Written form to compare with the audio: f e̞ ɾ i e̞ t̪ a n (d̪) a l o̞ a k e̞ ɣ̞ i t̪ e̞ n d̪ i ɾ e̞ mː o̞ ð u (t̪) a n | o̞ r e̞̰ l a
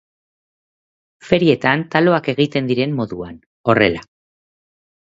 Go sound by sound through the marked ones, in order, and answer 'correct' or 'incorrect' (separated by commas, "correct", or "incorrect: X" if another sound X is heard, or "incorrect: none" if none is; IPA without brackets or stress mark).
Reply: incorrect: t̪, incorrect: none